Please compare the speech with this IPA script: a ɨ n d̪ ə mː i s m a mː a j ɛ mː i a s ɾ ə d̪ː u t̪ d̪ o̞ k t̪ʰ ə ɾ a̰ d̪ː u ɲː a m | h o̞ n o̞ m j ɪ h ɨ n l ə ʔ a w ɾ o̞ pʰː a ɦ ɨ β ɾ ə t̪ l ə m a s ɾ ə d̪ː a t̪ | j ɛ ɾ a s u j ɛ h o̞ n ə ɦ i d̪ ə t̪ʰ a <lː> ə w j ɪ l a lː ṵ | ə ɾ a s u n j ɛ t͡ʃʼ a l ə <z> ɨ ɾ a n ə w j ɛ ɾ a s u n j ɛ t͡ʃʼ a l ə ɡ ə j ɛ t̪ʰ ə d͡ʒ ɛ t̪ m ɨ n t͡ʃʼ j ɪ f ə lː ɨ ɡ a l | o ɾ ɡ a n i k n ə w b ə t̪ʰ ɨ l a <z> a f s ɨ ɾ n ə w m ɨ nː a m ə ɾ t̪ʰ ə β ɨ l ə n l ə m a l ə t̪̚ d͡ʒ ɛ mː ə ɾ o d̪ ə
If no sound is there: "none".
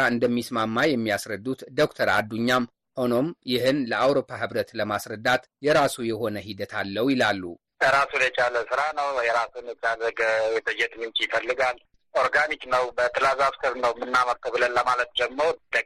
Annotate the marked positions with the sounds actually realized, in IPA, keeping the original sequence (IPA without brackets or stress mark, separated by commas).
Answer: lː, s, z